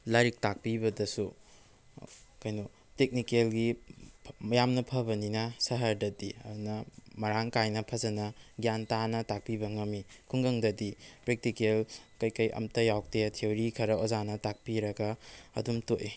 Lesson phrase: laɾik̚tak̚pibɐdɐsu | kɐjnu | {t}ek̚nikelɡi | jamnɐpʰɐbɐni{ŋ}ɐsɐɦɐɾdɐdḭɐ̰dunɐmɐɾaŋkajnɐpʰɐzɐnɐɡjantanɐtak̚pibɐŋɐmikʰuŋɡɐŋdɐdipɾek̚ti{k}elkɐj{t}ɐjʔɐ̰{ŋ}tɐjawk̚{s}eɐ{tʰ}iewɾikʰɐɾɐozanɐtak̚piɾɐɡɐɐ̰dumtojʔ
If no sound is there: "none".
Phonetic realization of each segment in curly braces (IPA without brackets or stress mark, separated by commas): t, n, k, k, m, t, tʰ